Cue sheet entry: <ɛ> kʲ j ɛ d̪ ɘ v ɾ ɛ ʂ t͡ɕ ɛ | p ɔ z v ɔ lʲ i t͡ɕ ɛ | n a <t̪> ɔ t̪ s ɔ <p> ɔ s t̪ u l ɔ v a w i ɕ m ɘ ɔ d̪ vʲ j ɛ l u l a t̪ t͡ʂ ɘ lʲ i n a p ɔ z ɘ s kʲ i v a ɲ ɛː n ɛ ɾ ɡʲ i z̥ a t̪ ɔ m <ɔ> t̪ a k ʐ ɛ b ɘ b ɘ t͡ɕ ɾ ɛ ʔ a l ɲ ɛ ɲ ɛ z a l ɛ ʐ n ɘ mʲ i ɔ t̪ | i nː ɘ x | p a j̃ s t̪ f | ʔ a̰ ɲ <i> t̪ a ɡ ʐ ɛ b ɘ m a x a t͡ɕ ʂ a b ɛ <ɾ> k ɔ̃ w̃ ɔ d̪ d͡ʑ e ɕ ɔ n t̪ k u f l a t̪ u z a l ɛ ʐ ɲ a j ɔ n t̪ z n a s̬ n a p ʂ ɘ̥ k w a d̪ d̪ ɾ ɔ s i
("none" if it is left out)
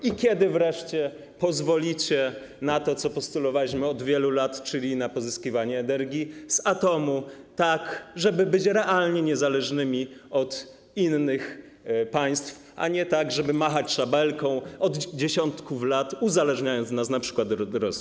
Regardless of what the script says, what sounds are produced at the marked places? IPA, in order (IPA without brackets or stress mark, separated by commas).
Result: i, t̪, p, u, ɛ, l